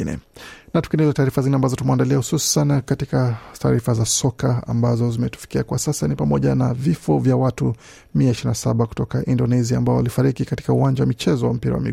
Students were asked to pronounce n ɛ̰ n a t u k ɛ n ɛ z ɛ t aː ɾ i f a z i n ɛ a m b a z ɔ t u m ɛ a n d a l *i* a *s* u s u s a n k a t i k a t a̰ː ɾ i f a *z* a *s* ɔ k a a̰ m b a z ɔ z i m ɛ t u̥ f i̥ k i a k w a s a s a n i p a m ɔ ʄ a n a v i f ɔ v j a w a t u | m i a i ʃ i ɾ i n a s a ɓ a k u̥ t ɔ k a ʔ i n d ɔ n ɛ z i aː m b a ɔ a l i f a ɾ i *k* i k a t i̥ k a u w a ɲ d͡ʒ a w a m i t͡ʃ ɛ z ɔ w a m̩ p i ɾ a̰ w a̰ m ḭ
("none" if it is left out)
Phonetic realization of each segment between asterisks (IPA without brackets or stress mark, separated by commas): i, h, z, s, k